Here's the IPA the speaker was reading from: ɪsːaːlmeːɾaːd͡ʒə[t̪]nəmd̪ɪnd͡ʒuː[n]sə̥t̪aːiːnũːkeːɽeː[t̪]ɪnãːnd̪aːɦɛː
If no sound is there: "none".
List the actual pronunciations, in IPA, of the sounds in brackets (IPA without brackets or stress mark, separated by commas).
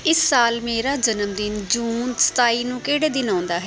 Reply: none, n, d̪